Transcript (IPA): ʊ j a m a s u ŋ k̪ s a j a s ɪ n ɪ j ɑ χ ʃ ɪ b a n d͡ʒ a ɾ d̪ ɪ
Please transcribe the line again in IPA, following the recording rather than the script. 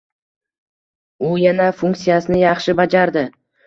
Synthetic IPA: ʊ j a n a f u ŋ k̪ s i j a s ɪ n ɪ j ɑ χ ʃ ɪ b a d͡ʒ a ɾ d̪ ɪ